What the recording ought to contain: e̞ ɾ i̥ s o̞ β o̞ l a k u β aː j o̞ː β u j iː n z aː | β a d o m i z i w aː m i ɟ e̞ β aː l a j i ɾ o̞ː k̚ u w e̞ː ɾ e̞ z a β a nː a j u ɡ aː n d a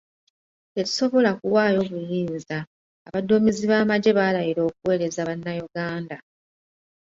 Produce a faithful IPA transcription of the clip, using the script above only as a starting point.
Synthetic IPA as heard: e̞ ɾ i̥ s o̞ β o̞ l a k u w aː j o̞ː β u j iː n z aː | β a d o m i z i β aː m a ɟ e̞ β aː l a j i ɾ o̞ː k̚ u w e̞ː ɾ e̞ z a β a nː a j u ɡ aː n d a